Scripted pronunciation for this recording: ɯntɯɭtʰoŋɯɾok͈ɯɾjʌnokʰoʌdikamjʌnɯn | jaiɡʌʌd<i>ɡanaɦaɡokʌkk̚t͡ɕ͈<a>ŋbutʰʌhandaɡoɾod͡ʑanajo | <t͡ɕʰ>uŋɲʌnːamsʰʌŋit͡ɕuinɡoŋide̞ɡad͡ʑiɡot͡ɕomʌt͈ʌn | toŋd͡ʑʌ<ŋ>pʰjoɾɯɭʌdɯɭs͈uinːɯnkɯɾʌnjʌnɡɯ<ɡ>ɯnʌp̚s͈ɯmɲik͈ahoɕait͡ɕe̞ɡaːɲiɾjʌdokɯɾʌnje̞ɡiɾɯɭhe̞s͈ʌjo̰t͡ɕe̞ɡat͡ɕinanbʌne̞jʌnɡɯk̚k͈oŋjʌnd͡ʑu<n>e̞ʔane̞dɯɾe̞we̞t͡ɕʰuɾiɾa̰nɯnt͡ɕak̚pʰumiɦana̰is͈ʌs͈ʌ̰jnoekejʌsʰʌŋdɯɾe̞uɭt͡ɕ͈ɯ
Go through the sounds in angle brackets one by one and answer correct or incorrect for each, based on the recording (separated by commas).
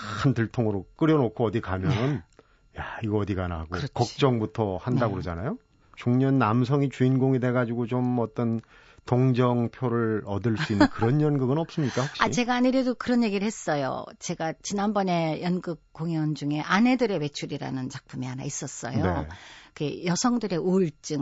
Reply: correct, incorrect, incorrect, correct, correct, incorrect